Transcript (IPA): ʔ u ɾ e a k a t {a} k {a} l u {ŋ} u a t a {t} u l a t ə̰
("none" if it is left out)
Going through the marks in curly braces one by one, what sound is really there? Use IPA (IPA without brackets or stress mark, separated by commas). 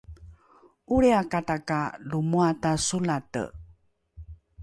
a, a, m, s